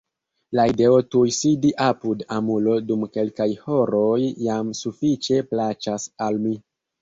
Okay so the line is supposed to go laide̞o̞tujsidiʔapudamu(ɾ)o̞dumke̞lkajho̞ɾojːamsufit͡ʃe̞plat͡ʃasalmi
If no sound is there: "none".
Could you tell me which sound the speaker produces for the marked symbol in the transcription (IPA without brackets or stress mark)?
l